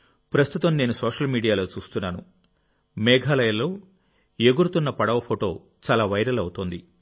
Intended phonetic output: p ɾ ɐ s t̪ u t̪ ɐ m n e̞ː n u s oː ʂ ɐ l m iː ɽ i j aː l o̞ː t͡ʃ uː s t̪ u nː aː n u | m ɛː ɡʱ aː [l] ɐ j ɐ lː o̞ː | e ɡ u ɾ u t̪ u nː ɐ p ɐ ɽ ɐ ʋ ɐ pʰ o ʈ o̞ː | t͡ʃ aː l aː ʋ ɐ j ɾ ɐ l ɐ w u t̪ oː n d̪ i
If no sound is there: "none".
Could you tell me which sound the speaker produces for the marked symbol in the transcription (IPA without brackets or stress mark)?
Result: l